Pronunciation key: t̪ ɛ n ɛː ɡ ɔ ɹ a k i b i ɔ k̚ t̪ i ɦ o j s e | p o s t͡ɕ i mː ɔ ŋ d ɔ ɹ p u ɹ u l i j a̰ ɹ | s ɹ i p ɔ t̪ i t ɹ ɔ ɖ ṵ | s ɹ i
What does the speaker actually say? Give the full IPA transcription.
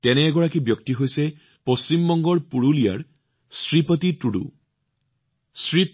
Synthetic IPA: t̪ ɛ n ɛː ɡ ɔ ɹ a k i b j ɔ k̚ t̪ i ɦ o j s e | p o s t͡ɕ i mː ɔ ŋ ɡ ɔ ɹ p u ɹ u l i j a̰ ɹ | s ɹ i p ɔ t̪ i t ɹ u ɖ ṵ | s ɹ i